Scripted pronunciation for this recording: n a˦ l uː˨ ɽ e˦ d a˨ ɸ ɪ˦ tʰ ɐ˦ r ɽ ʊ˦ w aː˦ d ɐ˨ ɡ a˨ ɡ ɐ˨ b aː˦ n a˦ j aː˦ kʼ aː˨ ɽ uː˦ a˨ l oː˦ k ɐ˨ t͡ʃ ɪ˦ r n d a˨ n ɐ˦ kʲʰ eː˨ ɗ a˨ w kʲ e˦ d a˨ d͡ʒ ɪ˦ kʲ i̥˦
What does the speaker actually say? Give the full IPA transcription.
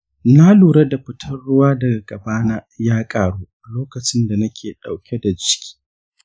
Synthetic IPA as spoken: n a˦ l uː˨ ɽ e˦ d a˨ ɸ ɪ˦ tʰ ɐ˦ r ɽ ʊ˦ w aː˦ d ɐ˨ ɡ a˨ ɡ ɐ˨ b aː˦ n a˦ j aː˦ kʼ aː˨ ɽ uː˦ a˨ l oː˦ k ɐ˨ t͡ʃ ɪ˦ n d a˨ n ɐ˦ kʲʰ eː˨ ɗ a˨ w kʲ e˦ d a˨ d͡ʒ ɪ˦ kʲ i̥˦